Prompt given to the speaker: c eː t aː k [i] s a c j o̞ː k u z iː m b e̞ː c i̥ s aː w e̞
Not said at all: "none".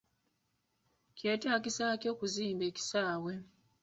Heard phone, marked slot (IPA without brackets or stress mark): i